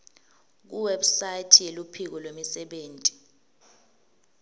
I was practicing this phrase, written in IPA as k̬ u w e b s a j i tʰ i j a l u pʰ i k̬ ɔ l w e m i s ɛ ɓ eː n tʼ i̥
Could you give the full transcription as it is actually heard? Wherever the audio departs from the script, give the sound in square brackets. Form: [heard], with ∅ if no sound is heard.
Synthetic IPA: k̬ u w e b s a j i tʰ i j [e] l u pʰ i k̬ ɔ l w e m i s ɛ ɓ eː n tʼ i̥

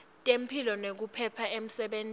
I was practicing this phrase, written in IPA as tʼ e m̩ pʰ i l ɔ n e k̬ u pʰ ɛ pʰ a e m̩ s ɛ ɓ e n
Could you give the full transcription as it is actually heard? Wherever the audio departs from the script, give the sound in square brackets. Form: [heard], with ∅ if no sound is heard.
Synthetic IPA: tʼ e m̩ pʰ i l ɔ n e k̬ u pʰ ɛ pʰ a e m̩ s ɛ ɓ e n

